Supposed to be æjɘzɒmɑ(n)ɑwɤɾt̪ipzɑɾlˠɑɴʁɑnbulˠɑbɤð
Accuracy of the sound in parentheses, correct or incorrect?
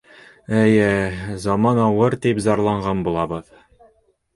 correct